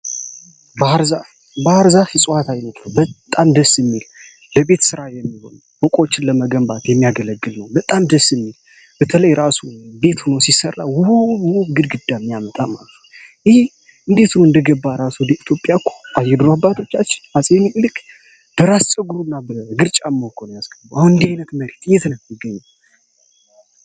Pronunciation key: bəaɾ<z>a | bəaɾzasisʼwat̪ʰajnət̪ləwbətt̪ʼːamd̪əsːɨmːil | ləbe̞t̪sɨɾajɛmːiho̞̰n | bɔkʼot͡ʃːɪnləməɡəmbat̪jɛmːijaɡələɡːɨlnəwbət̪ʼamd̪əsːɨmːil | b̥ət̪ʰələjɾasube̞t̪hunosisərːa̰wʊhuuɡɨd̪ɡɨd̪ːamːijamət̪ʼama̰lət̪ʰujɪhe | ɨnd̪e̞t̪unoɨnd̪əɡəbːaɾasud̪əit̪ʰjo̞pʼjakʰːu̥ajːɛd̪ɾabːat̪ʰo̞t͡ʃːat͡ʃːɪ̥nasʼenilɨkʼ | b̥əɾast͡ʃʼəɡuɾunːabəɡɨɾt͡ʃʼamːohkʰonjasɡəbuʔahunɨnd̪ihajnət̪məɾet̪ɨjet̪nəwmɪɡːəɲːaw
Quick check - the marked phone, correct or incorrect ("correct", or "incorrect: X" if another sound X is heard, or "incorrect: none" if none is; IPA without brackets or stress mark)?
correct